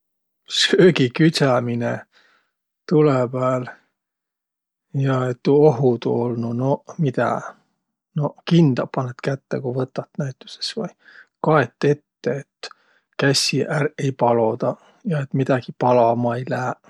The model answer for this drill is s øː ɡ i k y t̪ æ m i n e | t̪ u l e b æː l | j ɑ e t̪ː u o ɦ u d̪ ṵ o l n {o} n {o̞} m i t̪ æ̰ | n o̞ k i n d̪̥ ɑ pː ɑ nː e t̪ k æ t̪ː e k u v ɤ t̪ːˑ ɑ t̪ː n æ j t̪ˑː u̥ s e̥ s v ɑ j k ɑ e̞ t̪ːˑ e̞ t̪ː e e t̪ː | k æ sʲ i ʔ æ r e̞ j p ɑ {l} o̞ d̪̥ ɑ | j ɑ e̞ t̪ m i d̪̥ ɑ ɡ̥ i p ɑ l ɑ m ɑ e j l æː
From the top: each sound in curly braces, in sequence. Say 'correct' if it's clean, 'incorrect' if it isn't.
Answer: incorrect: u, correct, correct

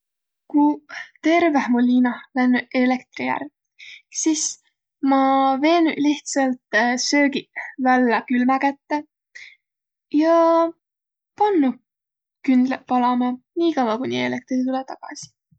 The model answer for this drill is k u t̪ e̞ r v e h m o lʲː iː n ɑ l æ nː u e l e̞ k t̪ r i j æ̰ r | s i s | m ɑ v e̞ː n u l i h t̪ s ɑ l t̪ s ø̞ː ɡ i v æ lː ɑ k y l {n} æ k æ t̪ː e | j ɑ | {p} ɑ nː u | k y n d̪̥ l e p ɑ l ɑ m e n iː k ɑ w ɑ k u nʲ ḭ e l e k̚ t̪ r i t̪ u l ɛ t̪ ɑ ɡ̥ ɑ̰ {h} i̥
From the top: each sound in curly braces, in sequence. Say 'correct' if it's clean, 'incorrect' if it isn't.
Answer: incorrect: m, correct, incorrect: s

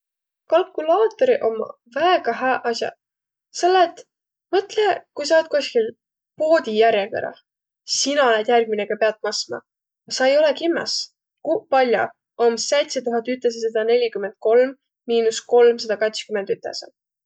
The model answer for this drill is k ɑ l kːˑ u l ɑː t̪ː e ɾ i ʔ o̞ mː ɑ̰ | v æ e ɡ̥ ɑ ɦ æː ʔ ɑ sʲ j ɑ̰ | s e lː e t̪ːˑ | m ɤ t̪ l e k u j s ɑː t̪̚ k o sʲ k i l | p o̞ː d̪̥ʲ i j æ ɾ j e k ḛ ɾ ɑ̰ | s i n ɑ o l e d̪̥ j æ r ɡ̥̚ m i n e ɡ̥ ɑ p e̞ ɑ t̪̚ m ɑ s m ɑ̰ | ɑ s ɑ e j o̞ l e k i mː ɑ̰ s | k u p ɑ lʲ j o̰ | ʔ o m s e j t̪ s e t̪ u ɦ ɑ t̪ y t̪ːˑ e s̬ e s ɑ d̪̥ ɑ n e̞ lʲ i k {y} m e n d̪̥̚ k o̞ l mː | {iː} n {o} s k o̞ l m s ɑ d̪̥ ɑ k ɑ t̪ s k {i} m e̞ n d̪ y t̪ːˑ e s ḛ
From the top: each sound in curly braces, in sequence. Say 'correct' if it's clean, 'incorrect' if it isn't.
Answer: correct, correct, incorrect: u, incorrect: y

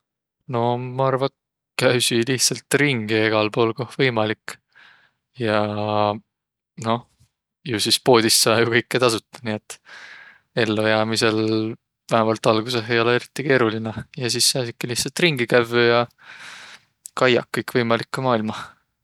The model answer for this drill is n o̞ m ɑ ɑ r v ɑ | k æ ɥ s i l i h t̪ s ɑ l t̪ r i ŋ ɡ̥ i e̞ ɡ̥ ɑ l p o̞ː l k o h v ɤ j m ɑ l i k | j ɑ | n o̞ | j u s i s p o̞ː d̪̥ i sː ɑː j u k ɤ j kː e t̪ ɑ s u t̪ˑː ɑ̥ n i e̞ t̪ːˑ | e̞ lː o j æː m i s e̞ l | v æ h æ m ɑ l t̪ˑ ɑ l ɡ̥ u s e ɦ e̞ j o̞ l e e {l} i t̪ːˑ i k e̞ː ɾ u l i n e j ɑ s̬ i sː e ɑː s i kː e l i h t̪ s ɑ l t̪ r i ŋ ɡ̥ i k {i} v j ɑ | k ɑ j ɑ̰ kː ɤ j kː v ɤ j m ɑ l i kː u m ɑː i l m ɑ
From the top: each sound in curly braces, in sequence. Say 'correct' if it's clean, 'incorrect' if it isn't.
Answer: incorrect: ɾ, incorrect: æ

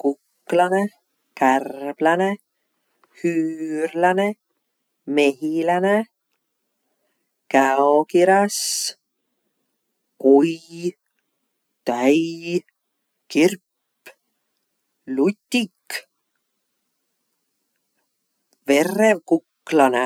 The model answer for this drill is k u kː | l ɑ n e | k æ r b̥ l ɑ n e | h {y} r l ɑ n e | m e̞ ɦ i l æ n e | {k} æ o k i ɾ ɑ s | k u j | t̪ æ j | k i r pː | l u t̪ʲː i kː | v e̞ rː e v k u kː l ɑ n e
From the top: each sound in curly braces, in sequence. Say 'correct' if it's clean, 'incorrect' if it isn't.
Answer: incorrect: yː, correct

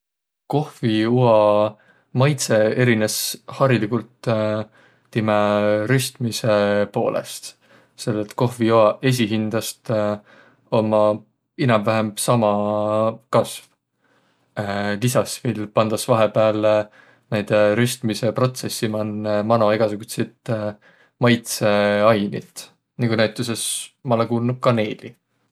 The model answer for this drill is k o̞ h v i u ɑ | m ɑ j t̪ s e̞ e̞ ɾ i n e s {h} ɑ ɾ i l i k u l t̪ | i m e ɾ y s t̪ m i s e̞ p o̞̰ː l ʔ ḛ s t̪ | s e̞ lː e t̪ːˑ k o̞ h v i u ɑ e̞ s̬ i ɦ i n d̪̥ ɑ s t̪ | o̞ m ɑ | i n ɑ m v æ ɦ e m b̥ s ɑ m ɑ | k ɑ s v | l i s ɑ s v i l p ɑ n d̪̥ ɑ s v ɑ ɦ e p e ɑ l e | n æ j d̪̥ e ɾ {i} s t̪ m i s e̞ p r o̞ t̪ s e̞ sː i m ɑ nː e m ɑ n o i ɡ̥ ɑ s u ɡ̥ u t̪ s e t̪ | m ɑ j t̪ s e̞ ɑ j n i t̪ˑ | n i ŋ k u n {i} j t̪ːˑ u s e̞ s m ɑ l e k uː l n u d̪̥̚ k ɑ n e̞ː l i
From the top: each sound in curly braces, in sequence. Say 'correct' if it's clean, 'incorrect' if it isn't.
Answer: correct, incorrect: y, incorrect: æ

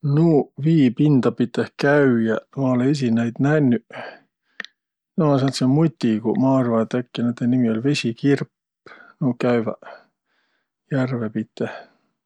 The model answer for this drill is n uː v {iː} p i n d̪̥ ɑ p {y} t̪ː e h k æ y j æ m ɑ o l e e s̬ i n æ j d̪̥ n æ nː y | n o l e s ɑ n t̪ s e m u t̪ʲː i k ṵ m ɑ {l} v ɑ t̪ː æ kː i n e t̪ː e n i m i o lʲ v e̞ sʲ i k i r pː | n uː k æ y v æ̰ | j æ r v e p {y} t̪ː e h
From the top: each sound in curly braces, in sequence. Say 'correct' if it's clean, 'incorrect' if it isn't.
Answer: correct, incorrect: i, incorrect: r, incorrect: i

